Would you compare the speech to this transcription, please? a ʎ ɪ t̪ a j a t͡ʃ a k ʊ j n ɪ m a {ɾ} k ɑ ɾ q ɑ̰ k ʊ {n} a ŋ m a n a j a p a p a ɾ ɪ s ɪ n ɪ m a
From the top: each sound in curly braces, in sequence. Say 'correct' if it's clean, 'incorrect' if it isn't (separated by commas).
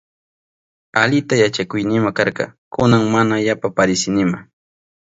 incorrect, correct